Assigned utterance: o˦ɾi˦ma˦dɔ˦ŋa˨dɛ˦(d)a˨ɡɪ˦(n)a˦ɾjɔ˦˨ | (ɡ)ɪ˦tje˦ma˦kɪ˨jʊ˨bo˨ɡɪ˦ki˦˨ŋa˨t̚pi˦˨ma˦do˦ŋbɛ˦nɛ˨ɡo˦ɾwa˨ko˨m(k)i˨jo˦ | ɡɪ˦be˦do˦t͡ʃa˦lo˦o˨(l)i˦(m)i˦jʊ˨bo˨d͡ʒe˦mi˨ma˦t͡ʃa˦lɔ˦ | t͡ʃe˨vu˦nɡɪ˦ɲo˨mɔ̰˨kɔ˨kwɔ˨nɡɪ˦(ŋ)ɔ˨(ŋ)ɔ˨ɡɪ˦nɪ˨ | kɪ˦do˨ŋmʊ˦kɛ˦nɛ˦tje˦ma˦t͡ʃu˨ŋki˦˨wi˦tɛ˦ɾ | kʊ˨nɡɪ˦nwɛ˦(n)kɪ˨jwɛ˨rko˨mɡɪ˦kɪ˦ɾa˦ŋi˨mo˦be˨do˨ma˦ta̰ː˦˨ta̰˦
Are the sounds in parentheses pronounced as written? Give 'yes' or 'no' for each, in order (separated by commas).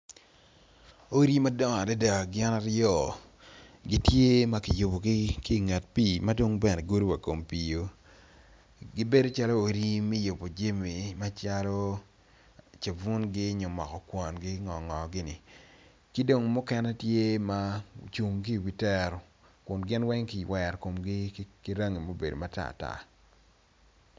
yes, yes, yes, no, no, yes, yes, yes, no